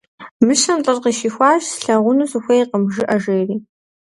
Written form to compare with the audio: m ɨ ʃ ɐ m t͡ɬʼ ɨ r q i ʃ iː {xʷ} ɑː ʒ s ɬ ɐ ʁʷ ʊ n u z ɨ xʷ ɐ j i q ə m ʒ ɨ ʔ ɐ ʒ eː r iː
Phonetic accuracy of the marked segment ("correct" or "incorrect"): correct